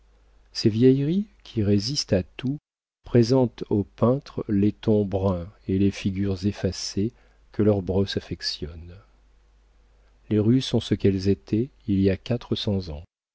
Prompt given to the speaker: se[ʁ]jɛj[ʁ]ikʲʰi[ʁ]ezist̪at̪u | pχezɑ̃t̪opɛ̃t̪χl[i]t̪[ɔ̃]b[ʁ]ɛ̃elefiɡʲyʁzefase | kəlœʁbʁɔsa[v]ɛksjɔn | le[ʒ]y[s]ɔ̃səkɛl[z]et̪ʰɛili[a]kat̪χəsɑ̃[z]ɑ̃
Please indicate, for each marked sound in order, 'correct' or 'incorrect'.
incorrect, correct, correct, incorrect, correct, correct, incorrect, incorrect, correct, correct, correct, correct

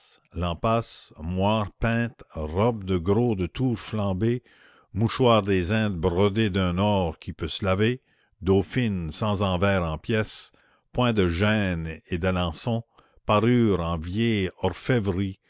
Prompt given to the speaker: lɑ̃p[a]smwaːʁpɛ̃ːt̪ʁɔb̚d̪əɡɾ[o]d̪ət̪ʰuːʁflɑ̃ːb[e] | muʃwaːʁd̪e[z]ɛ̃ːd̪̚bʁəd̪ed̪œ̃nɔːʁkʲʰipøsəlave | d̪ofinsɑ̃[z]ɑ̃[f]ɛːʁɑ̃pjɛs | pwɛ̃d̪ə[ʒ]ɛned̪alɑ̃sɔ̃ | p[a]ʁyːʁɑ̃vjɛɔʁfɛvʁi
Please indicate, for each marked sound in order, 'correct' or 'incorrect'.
correct, correct, correct, correct, correct, incorrect, correct, correct

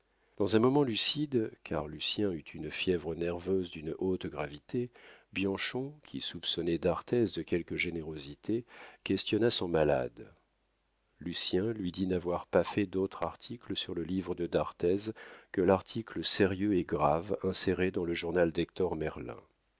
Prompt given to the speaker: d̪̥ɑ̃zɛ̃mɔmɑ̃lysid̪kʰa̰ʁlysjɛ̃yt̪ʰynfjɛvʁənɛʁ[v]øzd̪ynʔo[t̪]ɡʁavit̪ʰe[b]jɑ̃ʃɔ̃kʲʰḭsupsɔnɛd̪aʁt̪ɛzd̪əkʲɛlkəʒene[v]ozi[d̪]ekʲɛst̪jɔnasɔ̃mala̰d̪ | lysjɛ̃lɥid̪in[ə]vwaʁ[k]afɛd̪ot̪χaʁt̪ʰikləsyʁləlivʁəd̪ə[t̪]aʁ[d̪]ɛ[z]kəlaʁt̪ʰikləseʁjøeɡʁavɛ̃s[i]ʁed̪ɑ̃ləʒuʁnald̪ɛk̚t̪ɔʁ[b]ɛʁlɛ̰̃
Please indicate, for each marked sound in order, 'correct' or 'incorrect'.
correct, correct, correct, incorrect, incorrect, incorrect, incorrect, incorrect, incorrect, correct, incorrect, incorrect

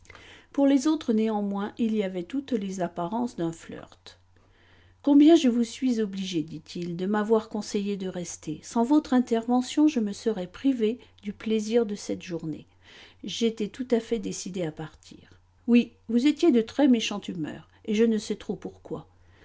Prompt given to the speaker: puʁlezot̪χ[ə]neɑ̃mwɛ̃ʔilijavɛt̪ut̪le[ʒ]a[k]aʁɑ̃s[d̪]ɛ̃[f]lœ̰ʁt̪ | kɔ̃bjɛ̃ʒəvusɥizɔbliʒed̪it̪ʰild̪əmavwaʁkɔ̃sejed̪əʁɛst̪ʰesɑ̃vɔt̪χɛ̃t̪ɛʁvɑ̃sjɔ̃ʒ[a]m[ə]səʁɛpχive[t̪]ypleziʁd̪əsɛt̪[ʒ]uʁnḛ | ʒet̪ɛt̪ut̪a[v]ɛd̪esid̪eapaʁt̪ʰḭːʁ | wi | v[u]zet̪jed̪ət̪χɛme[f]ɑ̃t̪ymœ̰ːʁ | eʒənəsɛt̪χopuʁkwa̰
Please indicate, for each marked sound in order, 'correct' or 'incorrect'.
correct, incorrect, incorrect, correct, correct, incorrect, correct, incorrect, correct, incorrect, correct, incorrect

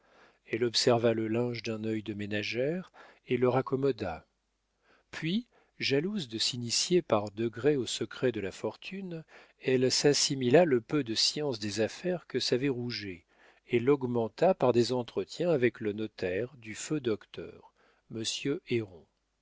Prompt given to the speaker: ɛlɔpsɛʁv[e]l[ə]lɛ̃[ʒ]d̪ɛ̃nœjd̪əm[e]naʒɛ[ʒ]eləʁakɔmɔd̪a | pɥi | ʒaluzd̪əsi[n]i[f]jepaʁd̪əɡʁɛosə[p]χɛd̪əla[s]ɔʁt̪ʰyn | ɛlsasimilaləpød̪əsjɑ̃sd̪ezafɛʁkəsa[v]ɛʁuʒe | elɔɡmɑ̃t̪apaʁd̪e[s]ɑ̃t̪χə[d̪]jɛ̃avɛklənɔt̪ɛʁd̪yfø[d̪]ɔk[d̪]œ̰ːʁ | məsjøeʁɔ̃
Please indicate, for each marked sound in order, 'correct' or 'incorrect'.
incorrect, correct, correct, correct, incorrect, correct, incorrect, incorrect, incorrect, correct, incorrect, incorrect, correct, incorrect

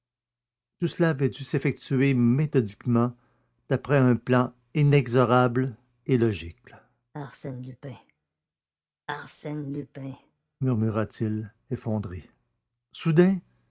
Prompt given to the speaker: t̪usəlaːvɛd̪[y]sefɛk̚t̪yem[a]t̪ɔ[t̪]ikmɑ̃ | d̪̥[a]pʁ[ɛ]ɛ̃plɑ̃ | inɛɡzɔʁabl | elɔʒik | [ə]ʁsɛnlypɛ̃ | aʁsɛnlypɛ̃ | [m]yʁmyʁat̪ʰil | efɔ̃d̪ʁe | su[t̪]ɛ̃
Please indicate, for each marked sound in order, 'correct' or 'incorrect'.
correct, incorrect, incorrect, correct, correct, incorrect, correct, incorrect

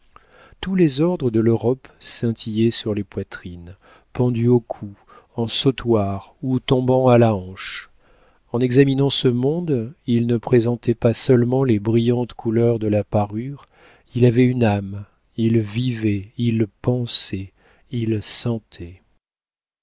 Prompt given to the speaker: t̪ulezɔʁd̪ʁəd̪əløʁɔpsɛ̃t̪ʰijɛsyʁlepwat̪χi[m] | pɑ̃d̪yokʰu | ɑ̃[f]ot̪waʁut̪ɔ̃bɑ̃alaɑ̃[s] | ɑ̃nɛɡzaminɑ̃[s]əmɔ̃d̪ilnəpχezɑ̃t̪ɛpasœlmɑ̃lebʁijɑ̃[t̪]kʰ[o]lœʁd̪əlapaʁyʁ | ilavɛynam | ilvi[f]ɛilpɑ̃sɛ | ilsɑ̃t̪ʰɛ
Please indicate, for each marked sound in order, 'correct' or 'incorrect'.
incorrect, incorrect, incorrect, correct, correct, incorrect, incorrect

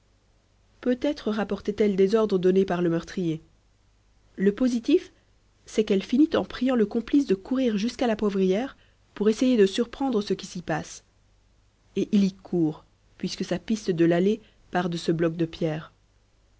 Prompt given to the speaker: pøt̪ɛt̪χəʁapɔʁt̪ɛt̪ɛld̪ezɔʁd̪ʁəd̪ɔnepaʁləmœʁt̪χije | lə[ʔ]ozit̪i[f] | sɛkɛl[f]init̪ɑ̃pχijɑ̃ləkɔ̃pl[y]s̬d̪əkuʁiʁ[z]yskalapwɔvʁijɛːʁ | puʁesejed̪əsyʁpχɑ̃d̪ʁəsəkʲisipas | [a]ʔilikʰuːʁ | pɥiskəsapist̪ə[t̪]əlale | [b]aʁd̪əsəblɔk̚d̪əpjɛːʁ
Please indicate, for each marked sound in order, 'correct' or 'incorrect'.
incorrect, correct, correct, incorrect, incorrect, incorrect, incorrect, incorrect

